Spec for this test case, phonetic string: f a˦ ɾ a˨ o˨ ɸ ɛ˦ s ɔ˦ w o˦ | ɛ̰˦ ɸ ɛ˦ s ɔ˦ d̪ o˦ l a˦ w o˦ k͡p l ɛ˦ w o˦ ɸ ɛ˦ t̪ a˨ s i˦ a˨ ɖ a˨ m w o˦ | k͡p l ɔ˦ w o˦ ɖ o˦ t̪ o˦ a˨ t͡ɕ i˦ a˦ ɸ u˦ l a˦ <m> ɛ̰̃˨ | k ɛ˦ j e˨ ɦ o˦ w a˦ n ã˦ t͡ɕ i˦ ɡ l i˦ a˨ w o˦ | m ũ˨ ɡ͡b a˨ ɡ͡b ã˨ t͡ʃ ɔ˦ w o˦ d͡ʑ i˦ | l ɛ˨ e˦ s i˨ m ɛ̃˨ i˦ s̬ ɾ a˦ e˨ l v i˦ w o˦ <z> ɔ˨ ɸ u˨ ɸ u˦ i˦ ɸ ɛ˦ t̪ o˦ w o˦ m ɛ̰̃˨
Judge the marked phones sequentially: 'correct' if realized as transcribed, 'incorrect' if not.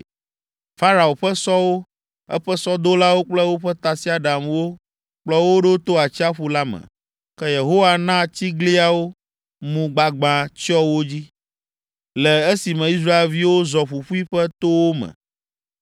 correct, correct

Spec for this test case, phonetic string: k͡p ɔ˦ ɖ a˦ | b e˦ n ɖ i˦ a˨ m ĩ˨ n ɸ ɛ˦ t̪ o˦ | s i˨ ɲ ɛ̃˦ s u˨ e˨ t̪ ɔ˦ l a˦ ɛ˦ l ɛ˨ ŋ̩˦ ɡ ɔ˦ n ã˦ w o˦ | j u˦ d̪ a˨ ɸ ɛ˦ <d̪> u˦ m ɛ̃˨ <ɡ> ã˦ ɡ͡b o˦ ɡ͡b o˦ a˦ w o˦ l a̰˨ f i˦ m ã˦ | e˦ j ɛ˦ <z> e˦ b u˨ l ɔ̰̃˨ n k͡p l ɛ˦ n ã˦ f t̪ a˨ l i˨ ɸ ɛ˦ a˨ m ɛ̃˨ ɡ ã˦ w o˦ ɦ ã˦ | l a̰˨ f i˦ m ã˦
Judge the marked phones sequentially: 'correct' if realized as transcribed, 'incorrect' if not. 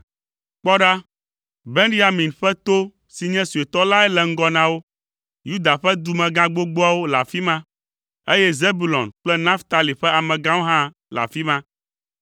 correct, correct, correct

